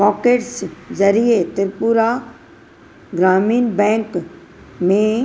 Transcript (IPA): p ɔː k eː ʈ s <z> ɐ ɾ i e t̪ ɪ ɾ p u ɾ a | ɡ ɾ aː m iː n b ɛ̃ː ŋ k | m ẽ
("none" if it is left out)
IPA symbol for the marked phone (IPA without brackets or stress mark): z